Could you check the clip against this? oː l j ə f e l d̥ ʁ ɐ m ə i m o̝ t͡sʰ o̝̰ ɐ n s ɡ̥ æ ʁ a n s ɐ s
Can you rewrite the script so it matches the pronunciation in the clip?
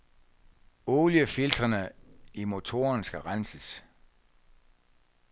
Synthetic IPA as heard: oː l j ə f i l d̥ ʁ ɐ n ə i m o̝ t͡sʰ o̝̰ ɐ n s ɡ̥ æ ʁ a n s ə s